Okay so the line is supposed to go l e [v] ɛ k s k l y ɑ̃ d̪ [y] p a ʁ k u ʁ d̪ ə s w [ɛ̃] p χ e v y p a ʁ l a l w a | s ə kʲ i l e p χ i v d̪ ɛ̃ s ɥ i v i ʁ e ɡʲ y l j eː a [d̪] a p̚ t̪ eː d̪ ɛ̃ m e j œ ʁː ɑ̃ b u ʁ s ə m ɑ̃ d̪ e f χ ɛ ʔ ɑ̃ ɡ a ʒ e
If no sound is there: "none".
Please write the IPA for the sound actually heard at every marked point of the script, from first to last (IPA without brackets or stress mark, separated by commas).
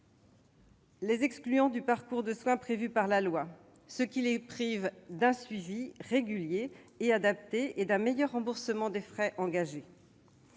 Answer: z, y, ɛ̃, d̪